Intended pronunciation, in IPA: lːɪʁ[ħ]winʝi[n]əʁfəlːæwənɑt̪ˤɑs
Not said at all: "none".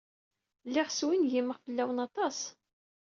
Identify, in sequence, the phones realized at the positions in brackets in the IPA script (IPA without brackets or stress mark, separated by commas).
s, m